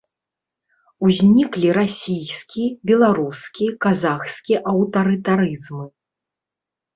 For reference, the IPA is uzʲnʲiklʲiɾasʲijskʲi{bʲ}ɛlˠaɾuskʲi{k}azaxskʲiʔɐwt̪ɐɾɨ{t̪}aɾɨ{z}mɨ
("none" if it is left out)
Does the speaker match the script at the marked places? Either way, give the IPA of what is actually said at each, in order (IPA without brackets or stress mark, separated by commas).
bʲ, k, t̪, z